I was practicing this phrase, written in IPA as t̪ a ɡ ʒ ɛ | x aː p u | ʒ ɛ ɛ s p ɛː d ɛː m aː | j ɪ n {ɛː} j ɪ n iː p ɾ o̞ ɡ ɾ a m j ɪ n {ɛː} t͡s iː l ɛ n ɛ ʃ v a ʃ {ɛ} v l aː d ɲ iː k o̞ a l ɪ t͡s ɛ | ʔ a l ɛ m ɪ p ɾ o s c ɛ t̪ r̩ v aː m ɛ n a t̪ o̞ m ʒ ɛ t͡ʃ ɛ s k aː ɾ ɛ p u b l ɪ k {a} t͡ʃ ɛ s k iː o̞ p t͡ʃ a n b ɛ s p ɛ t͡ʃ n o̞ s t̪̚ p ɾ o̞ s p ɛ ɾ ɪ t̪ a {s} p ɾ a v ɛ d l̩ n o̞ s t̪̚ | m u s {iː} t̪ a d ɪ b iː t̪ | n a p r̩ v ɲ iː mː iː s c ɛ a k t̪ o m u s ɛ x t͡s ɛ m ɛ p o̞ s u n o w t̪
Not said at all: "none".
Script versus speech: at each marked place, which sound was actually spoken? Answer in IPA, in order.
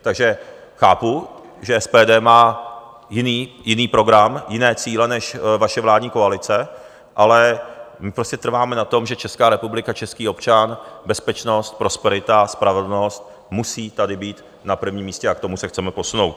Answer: iː, ɛː, ɛ, a, s, iː

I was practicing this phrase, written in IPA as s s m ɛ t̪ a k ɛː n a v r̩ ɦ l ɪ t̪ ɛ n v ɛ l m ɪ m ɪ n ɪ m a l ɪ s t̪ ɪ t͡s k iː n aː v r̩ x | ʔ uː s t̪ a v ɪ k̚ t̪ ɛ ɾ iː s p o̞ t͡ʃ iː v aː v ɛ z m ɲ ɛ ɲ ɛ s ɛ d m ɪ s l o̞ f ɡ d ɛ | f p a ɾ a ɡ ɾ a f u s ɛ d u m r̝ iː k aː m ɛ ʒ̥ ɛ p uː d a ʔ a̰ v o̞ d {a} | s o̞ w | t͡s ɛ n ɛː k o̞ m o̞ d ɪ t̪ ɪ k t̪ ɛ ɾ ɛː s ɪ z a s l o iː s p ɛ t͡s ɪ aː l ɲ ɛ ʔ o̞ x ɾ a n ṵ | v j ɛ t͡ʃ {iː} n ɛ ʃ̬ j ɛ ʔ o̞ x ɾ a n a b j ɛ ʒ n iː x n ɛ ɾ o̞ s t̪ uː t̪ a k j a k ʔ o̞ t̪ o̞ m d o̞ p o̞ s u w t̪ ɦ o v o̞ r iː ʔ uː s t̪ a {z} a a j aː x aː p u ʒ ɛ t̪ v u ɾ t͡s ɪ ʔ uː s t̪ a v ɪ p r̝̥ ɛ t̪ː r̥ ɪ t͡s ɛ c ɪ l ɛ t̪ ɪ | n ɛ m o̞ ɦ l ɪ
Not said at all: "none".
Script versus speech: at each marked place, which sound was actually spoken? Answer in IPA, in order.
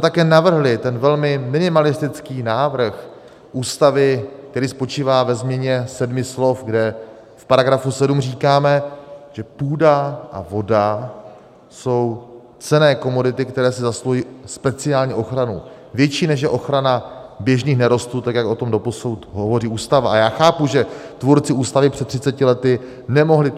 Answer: a, iː, v

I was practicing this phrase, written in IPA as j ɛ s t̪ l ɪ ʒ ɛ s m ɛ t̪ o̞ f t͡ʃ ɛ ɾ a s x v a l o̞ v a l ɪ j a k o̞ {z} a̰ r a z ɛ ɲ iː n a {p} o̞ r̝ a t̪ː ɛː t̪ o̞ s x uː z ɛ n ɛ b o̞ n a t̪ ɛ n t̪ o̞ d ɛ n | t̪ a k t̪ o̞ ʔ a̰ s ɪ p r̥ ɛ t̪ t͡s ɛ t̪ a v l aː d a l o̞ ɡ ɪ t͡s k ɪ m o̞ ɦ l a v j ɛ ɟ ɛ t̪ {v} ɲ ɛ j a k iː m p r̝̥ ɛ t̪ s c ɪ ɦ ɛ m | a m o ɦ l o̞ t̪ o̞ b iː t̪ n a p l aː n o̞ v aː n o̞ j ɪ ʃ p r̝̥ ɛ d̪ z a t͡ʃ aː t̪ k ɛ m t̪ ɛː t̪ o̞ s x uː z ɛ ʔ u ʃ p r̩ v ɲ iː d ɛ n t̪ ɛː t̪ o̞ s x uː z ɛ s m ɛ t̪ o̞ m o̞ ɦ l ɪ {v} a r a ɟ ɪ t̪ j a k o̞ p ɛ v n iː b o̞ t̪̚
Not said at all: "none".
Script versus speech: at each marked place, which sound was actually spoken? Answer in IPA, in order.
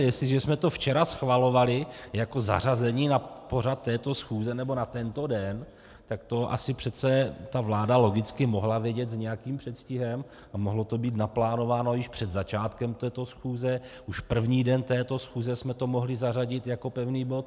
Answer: z, p, z, z

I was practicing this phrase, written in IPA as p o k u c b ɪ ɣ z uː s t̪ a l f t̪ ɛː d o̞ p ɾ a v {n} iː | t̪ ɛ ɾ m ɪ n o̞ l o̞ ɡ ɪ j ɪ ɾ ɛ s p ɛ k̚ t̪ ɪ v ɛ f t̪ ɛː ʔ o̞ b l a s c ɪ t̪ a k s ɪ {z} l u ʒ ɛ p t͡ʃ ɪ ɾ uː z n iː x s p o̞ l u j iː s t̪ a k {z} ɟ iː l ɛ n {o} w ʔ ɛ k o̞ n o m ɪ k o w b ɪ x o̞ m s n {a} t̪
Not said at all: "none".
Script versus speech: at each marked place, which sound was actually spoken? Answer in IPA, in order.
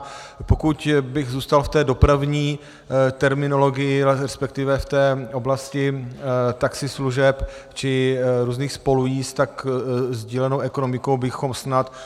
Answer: ɲ, s, z, o, a

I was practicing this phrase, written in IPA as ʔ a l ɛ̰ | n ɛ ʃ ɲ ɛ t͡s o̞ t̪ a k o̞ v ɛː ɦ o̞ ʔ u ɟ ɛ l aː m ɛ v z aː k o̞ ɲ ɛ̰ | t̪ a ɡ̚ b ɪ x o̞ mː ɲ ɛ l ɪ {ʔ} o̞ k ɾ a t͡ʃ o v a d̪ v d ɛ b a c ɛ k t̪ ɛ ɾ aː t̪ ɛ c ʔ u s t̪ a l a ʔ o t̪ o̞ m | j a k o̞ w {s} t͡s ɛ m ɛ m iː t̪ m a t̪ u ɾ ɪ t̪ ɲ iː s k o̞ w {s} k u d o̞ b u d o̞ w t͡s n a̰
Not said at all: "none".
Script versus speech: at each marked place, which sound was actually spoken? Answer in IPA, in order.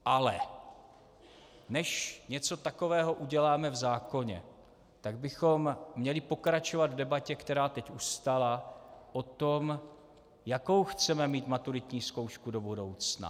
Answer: p, x, ʃ

